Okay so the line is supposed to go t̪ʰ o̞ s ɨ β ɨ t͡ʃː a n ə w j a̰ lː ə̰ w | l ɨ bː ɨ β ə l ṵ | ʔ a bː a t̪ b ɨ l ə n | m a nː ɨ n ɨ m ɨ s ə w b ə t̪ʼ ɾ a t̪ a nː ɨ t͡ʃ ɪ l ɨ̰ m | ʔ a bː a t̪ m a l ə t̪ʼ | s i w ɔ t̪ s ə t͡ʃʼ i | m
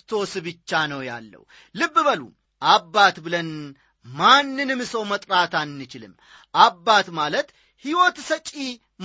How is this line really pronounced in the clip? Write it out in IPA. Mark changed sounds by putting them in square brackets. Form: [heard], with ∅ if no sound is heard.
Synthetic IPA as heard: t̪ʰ o̞ s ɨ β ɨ t͡ʃː a n ə w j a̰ lː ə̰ w | l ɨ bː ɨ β ə l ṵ | ʔ a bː a t̪ b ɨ l ə n | m a nː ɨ n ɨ m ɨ s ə w [m] ə t̪ʼ ɾ a t̪ a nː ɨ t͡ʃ ɪ l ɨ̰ m | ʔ a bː a t̪ m a l ə [t̪] | [h] i w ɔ t̪ s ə t͡ʃʼ i | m